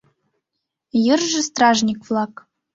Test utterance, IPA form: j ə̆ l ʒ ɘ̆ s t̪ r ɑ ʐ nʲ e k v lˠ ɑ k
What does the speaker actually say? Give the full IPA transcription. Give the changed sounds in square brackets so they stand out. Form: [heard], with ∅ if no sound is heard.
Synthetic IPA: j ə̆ [r] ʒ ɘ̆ s t̪ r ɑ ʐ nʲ [i] k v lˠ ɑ k